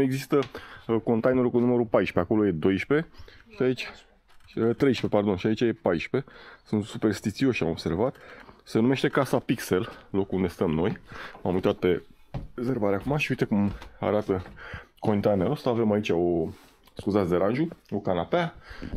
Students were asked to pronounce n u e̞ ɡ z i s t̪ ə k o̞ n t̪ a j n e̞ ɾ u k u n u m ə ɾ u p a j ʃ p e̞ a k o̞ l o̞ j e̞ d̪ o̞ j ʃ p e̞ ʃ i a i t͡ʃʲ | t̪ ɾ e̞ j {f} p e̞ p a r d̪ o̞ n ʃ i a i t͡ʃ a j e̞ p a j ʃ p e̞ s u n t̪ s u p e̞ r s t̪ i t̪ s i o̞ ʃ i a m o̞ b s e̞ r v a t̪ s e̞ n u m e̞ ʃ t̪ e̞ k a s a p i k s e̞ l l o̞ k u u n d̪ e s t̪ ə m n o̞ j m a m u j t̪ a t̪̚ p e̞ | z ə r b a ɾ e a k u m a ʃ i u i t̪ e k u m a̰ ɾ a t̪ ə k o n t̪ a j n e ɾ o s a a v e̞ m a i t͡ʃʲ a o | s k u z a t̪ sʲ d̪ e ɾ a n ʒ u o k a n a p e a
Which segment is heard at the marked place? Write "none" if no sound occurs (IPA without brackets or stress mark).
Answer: ʃ